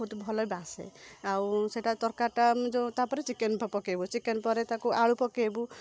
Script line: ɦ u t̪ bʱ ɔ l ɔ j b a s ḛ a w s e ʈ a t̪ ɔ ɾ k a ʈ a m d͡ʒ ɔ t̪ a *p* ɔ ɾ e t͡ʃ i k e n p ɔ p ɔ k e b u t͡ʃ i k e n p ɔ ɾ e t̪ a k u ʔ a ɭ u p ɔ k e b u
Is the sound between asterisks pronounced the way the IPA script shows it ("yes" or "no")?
yes